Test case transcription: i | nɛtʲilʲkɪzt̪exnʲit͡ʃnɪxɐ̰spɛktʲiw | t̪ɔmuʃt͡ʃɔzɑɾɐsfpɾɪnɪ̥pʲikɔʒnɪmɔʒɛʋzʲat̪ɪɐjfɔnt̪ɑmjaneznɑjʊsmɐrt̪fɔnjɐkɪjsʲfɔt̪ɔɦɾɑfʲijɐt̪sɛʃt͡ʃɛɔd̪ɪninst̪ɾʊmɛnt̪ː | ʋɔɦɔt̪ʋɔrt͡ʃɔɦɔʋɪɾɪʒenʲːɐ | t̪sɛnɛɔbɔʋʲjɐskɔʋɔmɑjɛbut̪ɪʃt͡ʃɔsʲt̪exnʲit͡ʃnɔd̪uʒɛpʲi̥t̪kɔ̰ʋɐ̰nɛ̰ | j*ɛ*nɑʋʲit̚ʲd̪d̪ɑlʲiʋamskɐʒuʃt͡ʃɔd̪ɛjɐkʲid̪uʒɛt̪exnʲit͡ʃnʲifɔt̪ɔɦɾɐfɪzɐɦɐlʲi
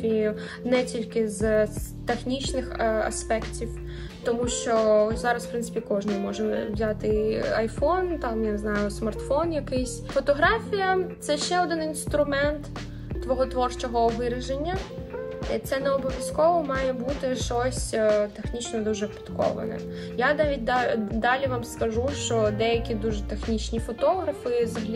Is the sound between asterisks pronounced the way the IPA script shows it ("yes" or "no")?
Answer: no